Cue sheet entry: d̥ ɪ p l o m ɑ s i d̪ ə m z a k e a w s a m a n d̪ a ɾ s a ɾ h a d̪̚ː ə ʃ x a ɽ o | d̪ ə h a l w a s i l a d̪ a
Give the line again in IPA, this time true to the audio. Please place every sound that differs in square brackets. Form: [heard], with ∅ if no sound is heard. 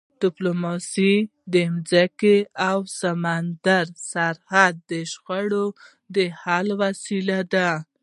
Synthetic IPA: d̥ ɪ p l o m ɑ s i d̪ ə m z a k e a w s a m a n d̪ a ɾ s a ɾ h a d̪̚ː ə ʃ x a ɽ o | d̪ ə h a l w a s i l a d̪ a